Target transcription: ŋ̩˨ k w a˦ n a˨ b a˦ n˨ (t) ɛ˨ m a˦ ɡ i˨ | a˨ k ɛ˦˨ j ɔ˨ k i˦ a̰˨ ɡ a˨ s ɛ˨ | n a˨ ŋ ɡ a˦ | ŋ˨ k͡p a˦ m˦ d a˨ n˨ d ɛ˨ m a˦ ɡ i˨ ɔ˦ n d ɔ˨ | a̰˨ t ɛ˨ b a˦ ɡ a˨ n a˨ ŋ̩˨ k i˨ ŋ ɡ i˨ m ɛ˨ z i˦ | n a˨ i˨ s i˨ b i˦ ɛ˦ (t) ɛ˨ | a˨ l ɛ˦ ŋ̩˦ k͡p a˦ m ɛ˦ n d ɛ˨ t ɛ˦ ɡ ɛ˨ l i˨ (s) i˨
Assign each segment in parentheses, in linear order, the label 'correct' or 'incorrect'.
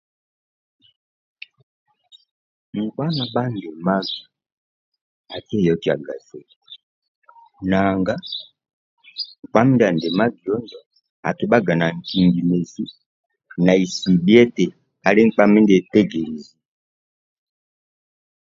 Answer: incorrect: d, correct, incorrect: z

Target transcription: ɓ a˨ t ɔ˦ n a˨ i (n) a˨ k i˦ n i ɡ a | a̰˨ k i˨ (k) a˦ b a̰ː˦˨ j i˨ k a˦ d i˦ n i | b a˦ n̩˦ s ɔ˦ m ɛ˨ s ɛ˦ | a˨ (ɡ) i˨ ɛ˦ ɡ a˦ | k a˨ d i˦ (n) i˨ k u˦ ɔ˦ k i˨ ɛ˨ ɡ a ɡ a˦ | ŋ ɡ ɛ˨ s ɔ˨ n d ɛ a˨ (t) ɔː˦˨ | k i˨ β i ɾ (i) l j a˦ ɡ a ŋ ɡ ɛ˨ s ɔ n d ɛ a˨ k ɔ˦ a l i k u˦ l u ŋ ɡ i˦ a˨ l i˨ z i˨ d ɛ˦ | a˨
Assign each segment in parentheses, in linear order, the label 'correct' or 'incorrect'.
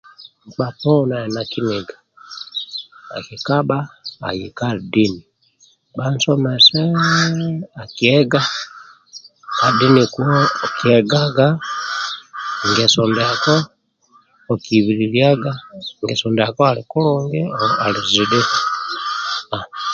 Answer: correct, correct, incorrect: k, correct, incorrect: k, correct

